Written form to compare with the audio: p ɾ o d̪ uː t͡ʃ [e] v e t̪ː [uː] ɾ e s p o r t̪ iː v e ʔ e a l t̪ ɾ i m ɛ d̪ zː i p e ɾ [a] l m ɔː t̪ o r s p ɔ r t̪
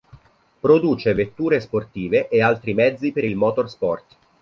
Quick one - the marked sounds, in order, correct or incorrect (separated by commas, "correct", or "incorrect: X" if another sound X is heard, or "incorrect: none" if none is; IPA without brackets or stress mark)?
correct, correct, incorrect: i